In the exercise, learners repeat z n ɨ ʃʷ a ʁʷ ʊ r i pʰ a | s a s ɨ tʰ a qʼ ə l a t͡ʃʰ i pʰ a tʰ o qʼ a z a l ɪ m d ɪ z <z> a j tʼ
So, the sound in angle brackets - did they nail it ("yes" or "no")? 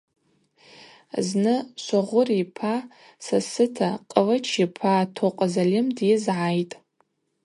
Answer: no